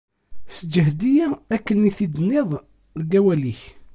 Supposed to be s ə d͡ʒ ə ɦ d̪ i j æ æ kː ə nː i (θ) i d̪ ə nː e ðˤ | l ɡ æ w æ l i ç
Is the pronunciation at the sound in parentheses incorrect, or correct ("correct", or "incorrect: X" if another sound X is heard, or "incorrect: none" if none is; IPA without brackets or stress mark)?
correct